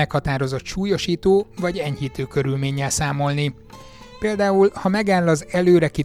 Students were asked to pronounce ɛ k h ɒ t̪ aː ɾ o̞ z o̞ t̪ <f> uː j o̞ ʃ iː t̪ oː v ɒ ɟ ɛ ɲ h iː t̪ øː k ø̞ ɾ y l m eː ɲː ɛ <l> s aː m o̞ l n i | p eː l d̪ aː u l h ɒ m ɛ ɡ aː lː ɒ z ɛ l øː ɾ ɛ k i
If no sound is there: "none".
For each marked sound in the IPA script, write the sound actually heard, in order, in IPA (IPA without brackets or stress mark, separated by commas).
ʃ, l